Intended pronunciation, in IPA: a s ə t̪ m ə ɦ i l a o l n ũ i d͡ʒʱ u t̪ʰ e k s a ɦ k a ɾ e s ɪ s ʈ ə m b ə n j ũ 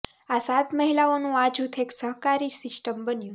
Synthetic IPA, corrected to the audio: a s a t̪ m ə ɦ i l a o n ũ a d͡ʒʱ u t̪ʰ e k s ə ɦ k a ɾ i s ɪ s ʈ ə m b ə n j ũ